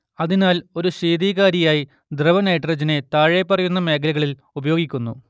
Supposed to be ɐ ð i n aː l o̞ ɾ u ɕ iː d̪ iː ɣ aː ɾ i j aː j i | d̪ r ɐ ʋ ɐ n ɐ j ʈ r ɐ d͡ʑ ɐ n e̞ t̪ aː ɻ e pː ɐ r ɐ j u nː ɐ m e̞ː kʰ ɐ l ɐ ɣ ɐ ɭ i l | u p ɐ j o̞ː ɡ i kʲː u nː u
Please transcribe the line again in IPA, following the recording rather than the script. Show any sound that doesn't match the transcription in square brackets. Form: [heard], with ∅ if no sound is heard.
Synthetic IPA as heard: ɐ ð i n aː l o̞ ɾ u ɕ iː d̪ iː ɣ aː ɾ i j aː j i | d̪ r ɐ ʋ ɐ n ɐ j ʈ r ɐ d͡ʑ ɐ n e̞ t̪ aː ɻ e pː ɐ r ɐ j u nː ɐ m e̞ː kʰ ɐ l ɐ ɣ ɐ ɭ i l | u [b] ɐ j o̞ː ɡ i kʲː u nː u